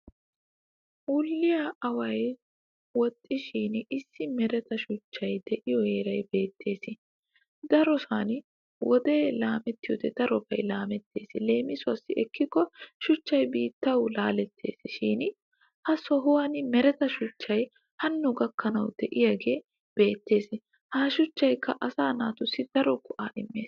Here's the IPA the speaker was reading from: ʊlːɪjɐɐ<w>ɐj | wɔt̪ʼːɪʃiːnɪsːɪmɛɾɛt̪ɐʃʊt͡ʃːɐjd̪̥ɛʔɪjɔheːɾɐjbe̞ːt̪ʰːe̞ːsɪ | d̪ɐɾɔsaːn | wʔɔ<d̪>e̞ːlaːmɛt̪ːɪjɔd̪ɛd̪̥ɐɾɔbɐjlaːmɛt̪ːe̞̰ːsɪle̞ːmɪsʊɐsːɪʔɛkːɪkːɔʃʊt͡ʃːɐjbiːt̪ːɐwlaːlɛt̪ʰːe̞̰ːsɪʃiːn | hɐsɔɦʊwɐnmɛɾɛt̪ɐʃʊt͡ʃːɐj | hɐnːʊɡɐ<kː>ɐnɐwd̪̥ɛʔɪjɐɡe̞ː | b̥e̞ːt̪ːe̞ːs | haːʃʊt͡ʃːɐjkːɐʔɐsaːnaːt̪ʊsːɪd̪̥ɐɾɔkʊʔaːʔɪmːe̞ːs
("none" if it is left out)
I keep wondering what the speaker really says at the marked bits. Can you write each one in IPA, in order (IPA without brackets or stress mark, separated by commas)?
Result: w, d̪, kː